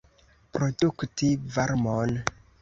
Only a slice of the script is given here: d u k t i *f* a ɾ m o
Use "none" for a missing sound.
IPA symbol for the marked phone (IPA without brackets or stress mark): v